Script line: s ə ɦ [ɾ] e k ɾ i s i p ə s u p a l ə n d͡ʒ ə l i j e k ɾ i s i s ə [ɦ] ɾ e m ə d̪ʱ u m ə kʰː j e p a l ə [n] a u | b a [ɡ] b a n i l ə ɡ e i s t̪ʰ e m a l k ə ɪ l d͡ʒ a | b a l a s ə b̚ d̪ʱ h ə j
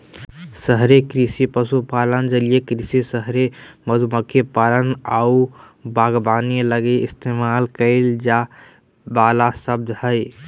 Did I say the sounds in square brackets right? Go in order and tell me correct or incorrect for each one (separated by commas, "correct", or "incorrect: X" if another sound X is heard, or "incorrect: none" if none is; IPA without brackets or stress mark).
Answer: correct, correct, correct, correct